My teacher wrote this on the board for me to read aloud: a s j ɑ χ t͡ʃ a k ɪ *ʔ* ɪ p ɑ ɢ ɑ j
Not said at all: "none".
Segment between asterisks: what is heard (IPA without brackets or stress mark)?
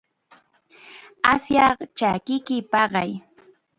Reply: k